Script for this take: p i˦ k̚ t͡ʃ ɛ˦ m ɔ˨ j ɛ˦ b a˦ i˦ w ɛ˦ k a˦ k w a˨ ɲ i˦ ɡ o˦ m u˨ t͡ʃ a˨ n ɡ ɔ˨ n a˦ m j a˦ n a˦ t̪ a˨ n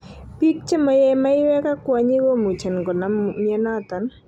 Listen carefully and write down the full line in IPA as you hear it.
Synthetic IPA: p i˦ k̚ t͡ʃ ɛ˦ m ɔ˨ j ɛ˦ m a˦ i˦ w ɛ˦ k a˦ k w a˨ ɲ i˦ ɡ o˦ m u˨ t͡ʃ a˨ n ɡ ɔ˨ n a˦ m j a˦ n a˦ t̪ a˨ n